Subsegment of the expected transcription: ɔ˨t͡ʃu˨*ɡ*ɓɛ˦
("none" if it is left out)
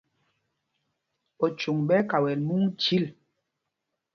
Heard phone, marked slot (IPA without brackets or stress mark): ŋ